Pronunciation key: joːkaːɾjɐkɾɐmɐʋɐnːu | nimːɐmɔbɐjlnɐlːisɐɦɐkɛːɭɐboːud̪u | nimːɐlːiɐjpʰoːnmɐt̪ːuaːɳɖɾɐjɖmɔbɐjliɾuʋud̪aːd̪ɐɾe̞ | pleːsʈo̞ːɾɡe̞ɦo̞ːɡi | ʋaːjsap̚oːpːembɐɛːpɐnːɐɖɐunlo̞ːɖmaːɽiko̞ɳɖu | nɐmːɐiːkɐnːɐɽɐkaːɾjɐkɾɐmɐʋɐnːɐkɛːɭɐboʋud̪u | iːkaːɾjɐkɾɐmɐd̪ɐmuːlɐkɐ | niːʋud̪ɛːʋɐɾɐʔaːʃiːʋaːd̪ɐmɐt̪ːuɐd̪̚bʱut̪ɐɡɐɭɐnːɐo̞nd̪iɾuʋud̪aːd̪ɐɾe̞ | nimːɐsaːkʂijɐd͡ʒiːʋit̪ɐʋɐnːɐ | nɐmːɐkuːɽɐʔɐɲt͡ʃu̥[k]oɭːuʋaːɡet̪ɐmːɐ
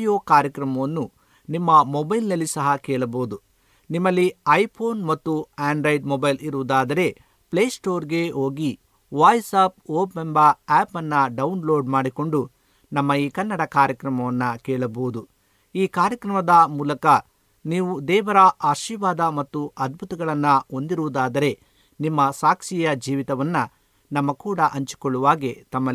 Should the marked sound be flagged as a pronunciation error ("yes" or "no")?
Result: no